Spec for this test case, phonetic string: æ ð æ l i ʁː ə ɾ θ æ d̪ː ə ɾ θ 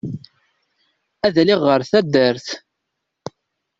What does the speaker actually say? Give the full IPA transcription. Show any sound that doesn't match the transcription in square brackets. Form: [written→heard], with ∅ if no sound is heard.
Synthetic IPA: æ ð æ l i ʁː ə ɾ θ æ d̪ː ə ɾ θ